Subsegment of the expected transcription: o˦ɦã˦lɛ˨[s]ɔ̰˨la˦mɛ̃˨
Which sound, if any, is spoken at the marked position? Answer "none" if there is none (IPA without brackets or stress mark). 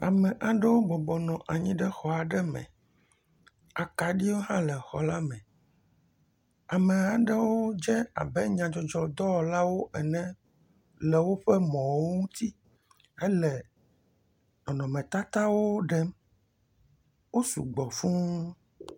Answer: x